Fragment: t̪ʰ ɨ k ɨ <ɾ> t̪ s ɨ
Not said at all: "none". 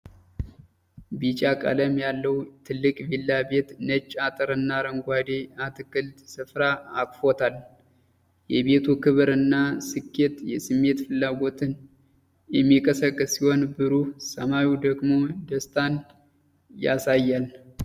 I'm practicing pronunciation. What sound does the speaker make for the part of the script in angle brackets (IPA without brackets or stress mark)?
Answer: l